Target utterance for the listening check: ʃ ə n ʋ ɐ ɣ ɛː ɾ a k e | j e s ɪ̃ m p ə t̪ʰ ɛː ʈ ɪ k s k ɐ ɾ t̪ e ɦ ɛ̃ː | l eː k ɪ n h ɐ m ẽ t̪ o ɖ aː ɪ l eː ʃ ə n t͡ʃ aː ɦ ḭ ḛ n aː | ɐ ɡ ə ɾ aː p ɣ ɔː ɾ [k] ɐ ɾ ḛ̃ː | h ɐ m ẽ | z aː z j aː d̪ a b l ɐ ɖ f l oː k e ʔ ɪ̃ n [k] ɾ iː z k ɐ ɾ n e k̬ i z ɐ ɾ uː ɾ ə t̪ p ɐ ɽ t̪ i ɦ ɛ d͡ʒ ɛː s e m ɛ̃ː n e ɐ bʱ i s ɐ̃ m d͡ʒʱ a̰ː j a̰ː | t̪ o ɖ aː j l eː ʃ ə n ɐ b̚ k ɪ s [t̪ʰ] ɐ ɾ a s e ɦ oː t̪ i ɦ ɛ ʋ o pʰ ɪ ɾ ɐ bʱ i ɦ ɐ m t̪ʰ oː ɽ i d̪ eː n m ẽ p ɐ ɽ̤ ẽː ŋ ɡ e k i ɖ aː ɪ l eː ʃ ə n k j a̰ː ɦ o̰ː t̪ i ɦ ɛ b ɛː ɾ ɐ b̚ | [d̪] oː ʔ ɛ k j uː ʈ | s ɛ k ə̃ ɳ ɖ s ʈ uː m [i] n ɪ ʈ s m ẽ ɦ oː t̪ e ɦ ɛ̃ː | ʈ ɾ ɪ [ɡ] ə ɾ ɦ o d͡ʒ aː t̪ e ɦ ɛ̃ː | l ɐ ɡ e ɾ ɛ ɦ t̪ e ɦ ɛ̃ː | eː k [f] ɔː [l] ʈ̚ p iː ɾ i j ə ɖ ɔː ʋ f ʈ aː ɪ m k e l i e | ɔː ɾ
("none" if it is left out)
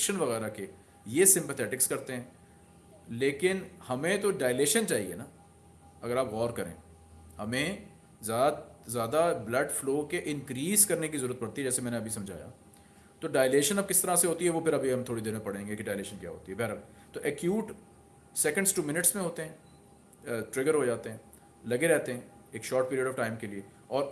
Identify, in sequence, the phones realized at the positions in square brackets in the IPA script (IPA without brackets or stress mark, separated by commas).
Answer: k, k, t̪, t̪, ɪ, ɡ, ʃ, ɾ